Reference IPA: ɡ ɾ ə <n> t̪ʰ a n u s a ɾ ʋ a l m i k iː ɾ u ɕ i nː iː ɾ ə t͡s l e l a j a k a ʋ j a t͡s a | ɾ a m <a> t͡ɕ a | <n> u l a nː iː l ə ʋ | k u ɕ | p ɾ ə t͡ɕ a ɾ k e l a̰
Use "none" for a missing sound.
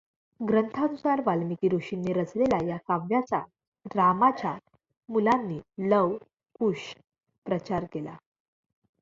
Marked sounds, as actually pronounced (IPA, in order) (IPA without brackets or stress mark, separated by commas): n, a, m